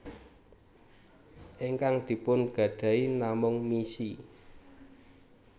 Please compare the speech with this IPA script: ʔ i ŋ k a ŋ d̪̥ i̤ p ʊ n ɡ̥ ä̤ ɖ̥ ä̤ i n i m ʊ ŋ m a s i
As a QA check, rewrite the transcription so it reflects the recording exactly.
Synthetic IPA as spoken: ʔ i ŋ k a ŋ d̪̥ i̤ p ʊ n ɡ̥ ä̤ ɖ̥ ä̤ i n a m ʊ ŋ m i s i